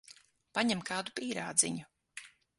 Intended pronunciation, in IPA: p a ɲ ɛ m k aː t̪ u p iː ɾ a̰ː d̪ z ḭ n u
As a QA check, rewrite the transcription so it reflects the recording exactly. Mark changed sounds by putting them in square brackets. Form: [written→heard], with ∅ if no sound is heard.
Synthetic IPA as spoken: p a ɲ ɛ m k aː [t̪→d̪] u p iː ɾ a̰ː d̪ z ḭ [n→ɲ] u